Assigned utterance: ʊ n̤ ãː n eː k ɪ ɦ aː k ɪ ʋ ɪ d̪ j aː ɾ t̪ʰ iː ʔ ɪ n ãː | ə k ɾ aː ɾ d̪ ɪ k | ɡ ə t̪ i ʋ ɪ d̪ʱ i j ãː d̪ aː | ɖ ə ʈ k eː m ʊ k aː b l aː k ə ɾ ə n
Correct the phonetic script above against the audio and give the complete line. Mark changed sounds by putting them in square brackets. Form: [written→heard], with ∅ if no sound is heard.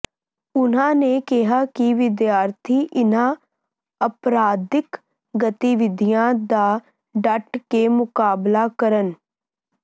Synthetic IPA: ʊ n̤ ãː n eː k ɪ ɦ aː k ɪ ʋ ɪ d̪ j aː ɾ t̪ʰ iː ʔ ɪ n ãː | ə [k→p] ɾ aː [ɾ→∅] d̪ ɪ k | ɡ ə t̪ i ʋ ɪ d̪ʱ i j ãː d̪ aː | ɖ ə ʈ k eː m ʊ k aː b l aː k ə ɾ ə n